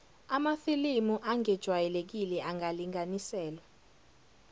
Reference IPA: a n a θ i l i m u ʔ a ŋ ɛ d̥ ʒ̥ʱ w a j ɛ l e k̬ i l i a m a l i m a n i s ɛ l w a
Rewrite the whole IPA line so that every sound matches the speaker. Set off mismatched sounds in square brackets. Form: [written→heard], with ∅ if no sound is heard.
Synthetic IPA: a [n→m] a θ i l i m u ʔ a ŋ ɛ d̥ ʒ̥ʱ w a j ɛ l e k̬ i l [i→ɛ] a [m→ŋ] a l i [m→ŋ] a n i s [ɛ→ɛː] l w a